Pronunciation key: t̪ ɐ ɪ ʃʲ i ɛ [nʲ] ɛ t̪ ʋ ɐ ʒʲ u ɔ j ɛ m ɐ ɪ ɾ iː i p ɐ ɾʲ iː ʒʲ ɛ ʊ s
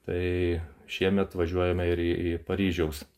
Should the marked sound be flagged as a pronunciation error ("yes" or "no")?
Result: yes